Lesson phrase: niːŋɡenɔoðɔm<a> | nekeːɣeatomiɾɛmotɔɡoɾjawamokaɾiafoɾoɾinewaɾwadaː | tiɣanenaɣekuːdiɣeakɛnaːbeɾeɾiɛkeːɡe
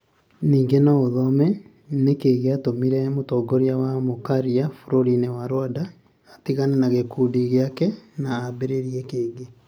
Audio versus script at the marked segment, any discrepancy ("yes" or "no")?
yes